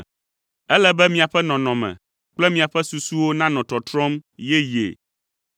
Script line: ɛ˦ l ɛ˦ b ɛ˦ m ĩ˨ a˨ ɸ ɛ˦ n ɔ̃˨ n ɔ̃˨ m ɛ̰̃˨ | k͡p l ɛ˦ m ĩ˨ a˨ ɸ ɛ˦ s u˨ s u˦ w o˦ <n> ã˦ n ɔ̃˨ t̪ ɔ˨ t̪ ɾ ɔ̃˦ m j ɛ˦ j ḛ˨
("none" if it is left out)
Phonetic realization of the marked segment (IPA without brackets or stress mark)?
n